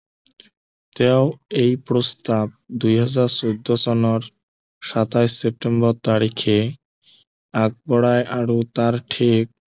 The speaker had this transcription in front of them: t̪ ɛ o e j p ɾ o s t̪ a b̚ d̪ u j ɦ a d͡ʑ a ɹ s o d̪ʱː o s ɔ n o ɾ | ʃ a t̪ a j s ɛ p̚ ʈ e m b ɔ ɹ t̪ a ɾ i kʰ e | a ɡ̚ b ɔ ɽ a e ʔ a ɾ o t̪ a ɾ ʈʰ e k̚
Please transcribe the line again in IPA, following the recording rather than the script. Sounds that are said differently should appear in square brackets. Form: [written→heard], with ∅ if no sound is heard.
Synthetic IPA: t̪ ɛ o e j p ɾ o s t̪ a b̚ d̪ u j ɦ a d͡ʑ a [ɹ→ɾ] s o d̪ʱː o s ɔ n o ɾ | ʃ a t̪ a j s [ɛ→e] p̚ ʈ e m b ɔ [ɹ→ɾ] t̪ a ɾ i kʰ e | a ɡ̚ b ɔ ɽ a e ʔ a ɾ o t̪ a ɾ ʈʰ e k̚